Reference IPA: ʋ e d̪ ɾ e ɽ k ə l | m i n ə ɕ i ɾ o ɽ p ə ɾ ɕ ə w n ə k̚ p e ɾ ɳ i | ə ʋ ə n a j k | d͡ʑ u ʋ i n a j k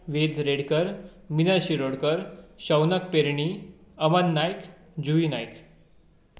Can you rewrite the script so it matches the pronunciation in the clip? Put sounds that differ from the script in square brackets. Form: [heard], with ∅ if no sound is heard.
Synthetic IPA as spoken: ʋ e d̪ ɾ e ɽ k ə [ɾ] | m i n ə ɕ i ɾ o ɽ [k] ə ɾ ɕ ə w n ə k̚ p e ɾ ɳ i | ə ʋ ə [nː] a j k | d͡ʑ u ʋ i n a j k